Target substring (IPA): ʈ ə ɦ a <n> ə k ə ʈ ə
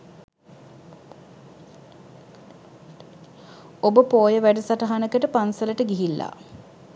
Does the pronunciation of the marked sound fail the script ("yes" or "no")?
no